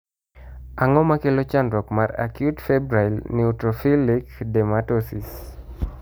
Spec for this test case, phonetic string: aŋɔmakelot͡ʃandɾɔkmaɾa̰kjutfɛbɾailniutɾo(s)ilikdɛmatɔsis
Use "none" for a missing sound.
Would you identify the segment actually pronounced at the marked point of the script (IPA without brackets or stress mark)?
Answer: f